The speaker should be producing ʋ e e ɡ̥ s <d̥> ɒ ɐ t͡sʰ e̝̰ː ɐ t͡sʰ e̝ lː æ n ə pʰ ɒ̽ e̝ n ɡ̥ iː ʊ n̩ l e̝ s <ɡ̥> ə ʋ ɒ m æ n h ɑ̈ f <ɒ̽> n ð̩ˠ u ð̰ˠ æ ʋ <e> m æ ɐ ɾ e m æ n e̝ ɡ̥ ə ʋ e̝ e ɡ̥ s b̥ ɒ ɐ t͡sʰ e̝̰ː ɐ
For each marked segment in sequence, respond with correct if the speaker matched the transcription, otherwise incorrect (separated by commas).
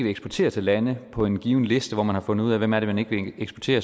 incorrect, incorrect, incorrect, correct